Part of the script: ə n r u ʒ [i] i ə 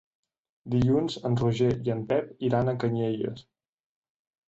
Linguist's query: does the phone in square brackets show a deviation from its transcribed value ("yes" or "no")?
yes